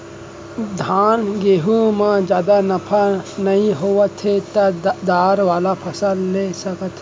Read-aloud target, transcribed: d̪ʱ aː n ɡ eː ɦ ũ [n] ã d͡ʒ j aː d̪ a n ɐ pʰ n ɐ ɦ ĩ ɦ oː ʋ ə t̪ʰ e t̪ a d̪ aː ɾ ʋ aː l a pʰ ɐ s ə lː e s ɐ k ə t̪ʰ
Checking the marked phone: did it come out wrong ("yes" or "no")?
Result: yes